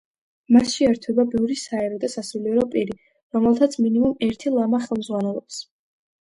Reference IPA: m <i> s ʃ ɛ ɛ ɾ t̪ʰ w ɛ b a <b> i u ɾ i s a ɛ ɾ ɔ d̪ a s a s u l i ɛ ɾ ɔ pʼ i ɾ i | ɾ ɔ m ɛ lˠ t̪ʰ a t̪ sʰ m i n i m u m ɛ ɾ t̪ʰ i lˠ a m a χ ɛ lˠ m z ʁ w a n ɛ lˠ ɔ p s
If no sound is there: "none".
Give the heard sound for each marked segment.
a, b

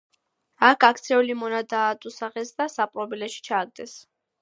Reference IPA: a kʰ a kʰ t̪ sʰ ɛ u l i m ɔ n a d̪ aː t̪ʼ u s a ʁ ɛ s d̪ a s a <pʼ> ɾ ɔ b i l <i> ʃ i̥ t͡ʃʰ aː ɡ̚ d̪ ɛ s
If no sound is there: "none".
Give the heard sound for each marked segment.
pʼ, ɛ

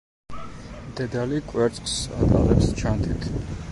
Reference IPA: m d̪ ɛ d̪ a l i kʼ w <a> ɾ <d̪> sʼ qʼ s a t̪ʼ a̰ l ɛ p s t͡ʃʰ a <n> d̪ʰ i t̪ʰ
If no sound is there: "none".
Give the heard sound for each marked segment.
ɛ, t̪, n

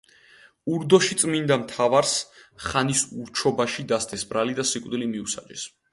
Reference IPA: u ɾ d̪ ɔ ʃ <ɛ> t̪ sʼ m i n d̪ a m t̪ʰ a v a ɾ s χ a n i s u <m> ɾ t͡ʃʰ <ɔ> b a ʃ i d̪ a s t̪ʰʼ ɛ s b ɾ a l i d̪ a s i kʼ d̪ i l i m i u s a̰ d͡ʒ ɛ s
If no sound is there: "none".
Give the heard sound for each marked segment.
i, none, ɔ

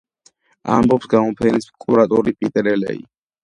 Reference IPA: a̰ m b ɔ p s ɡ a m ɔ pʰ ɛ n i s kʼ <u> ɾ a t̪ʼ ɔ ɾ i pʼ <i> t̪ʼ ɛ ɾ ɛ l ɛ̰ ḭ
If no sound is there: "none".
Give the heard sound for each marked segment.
u, i

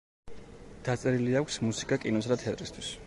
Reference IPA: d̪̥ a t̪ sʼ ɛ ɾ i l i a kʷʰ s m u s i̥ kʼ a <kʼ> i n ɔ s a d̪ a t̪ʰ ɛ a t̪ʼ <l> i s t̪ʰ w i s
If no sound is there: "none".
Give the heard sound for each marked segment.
kʼ, ɾ

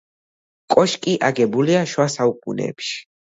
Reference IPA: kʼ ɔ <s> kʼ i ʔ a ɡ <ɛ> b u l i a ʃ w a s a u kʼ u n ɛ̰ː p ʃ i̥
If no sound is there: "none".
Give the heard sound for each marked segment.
ʃ, ɛ

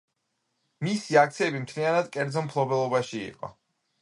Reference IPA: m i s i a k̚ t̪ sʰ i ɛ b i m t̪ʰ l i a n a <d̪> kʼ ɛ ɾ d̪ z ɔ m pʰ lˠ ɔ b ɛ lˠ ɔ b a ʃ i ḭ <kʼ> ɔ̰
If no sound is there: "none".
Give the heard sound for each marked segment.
d̪, qʼ

